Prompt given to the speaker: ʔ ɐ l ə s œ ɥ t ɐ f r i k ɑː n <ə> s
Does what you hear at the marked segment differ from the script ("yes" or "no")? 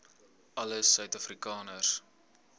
no